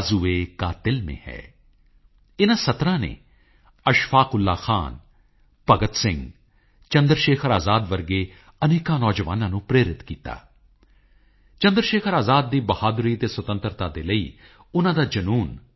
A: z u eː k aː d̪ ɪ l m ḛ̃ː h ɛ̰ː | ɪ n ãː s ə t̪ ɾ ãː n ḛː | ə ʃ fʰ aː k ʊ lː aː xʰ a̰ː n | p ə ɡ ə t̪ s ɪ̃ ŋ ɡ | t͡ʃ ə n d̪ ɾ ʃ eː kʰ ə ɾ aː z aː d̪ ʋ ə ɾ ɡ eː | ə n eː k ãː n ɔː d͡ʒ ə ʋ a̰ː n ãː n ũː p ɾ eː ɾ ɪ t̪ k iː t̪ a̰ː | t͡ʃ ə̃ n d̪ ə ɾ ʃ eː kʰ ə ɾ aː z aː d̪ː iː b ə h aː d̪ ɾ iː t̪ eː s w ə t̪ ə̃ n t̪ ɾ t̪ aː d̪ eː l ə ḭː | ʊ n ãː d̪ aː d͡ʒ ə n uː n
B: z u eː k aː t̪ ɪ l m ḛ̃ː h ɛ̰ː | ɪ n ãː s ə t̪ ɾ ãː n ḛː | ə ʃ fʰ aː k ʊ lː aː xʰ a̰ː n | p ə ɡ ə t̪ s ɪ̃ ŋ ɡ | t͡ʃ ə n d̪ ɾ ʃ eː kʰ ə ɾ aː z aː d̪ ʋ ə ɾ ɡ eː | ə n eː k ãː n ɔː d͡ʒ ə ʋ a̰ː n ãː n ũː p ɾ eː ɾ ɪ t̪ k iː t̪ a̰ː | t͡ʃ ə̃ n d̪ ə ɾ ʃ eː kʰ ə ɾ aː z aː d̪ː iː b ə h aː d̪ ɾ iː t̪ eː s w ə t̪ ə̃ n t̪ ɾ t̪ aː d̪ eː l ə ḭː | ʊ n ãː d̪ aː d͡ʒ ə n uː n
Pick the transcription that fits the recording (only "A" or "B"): B